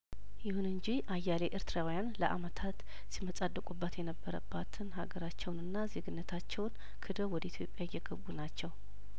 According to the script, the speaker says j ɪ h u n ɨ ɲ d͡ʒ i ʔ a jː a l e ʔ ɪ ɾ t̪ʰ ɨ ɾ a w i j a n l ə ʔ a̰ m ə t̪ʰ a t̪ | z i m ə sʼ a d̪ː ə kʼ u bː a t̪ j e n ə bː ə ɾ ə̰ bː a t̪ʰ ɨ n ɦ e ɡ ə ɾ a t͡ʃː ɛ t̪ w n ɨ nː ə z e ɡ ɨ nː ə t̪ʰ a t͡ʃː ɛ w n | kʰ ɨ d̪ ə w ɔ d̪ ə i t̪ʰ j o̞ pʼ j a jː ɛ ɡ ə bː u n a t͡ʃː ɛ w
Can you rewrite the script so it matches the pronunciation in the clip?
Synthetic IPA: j ɪ h u n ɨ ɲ d͡ʒ i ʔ a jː a l e ʔ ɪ ɾ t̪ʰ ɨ ɾ a w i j a n l ə ʔ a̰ m ə t̪ʰ a t̪ | s i m ə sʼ a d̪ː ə kʼ u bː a t̪ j ɛ n ə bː ə ɾ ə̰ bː a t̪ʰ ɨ n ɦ a ɡ ə ɾ a t͡ʃː ɛ w n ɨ nː a z e ɡ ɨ nː ə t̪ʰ a t͡ʃː ɛ w n | kʰ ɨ d̪ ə w ɔ d̪ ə i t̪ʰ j o̞ pʼ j a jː ɛ ɡ ə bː u n a t͡ʃː ɛ w